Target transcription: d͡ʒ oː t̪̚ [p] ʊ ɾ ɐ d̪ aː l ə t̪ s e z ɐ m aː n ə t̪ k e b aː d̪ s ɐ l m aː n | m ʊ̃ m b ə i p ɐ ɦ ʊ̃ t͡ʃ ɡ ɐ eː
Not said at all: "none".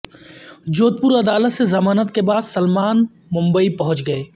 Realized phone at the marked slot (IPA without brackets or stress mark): p